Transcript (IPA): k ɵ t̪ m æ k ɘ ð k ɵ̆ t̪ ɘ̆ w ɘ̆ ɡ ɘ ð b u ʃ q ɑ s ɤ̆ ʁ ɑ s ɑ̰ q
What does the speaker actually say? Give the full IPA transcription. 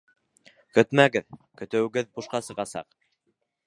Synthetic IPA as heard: k ɵ t̪ m æ ɡ ɘ ð k ɵ̆ t̪ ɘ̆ w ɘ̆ ɡ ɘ ð b u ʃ q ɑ s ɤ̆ ʁ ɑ s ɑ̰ q